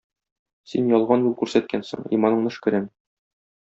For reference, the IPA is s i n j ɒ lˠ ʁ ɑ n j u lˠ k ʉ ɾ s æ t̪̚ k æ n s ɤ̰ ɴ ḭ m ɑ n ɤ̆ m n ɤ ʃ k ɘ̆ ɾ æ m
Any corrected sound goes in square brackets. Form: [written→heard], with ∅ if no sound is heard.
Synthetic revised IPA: s i n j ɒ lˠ ʁ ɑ n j u lˠ k ʉ ɾ s æ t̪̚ k æ n s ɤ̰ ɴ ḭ m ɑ n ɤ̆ [m→ɴ] n ɤ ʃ k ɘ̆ ɾ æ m